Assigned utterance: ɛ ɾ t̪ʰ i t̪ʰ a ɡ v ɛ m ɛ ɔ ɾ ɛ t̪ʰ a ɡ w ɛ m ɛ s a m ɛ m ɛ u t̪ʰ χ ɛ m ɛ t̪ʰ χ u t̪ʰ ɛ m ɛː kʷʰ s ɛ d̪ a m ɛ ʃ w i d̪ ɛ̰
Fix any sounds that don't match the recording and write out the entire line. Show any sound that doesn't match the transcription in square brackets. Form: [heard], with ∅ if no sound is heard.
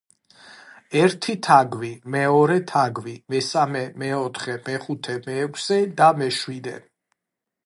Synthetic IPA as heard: ɛ ɾ t̪ʰ i t̪ʰ a ɡ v [i] m ɛ ɔ ɾ ɛ t̪ʰ a ɡ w [i] m ɛ s a m ɛ m ɛ [ɔ] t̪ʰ χ ɛ m ɛ [∅] χ u t̪ʰ ɛ m ɛː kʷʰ s ɛ d̪ a m ɛ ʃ w i d̪ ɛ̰